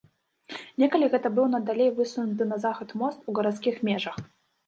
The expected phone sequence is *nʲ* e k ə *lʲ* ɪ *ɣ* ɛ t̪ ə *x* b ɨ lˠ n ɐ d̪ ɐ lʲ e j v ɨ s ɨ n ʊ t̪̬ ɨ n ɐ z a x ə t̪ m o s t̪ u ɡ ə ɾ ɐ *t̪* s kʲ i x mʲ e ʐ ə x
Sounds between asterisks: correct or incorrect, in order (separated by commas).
correct, correct, correct, incorrect, correct